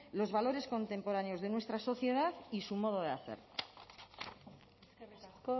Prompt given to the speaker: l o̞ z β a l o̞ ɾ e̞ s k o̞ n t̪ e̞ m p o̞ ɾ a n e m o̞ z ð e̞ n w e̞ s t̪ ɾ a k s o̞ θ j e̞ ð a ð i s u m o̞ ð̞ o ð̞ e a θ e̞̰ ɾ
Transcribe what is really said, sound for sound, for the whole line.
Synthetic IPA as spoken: l o̞ z β a l o̞ ɾ e̞ s k o̞ n t̪ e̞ m p o̞ ɾ a n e o̞ z ð e̞ n w e̞ s t̪ ɾ a s o̞ θ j e̞ ð a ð i s u m o̞ ð̞ o ð̞ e a θ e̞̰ ɾ